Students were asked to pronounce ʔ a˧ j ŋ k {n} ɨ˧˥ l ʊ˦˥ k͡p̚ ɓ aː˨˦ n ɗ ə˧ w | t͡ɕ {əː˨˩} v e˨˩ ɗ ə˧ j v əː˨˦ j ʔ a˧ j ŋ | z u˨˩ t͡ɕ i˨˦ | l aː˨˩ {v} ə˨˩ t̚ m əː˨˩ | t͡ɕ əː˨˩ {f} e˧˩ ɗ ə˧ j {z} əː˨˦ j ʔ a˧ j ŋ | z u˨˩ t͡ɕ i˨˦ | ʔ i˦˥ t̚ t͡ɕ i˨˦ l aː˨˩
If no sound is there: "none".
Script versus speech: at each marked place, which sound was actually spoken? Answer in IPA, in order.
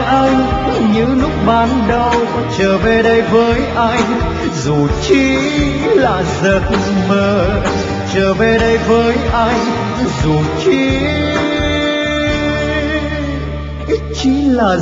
ɲ, əː˨˩, z, v, v

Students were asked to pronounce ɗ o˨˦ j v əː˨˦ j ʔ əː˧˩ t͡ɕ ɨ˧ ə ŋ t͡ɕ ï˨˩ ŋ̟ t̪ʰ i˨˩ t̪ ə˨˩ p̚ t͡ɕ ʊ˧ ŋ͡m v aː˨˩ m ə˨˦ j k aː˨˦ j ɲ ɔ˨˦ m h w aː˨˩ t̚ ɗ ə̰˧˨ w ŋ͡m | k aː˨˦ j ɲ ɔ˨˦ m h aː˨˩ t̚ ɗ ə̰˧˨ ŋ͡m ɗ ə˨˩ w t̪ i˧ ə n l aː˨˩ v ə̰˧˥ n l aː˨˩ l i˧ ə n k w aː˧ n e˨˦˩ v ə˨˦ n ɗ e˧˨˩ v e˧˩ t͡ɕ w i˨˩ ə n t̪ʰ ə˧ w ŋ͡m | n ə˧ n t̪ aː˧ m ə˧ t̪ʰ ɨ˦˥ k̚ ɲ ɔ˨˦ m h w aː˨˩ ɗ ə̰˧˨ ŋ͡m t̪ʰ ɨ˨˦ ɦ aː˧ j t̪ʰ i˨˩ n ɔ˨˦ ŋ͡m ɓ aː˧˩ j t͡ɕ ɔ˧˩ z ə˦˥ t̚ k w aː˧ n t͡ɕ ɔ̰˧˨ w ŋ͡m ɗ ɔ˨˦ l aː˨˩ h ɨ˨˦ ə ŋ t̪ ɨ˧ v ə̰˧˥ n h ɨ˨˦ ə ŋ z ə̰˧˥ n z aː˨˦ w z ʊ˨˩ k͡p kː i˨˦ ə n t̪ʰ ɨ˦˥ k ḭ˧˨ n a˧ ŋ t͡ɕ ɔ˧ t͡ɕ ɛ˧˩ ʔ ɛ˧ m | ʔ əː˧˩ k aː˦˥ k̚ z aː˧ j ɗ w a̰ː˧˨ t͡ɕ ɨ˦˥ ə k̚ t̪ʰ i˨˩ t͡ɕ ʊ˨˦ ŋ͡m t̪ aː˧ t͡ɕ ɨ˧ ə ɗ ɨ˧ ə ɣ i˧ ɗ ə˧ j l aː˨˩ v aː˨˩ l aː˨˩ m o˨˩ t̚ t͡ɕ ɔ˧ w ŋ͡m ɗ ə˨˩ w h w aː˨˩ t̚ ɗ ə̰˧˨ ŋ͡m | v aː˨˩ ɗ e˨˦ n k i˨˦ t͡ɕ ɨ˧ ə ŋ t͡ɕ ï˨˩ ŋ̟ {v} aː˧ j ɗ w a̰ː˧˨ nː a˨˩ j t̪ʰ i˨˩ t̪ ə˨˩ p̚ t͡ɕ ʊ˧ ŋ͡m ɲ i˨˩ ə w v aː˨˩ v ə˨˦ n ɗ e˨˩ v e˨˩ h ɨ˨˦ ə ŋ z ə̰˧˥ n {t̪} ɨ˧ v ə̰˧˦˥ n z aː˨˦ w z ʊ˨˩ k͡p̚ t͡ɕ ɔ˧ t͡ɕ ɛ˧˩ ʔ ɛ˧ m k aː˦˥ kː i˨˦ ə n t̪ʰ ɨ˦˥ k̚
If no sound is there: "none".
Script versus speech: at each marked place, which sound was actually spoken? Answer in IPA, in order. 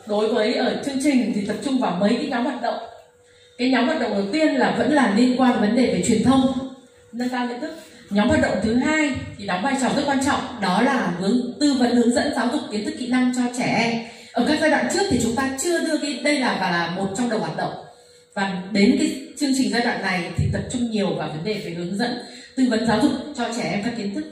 z, t̪

